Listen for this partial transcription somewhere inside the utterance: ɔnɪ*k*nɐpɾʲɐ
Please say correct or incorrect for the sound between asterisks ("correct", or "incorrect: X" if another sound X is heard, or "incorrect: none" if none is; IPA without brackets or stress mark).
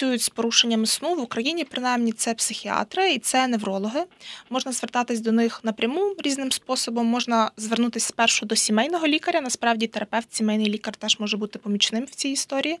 incorrect: x